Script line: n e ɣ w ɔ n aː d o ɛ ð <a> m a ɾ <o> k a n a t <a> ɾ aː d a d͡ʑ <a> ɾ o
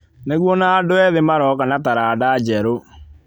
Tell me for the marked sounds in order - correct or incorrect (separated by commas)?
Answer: incorrect, incorrect, correct, incorrect